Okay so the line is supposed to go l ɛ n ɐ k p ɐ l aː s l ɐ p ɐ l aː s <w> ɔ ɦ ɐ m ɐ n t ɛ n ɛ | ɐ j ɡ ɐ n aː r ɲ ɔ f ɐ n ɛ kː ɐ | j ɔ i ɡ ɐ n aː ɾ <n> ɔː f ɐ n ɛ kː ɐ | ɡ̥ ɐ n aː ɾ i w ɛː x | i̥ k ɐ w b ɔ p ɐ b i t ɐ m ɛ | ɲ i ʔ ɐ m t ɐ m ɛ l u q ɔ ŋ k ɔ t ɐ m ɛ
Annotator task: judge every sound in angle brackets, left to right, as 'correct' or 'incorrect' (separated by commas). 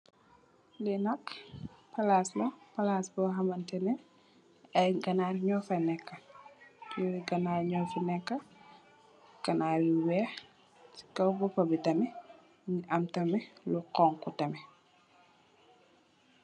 incorrect, incorrect